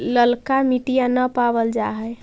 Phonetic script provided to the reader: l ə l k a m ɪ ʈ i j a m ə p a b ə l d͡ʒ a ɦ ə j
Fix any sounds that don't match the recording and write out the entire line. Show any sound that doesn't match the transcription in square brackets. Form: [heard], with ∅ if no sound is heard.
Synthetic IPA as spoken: l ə l k a m [i] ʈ i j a [n] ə p a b ə l d͡ʒ a ɦ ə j